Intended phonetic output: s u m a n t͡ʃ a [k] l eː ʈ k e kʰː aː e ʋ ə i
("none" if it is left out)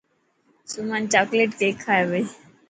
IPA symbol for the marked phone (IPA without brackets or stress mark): k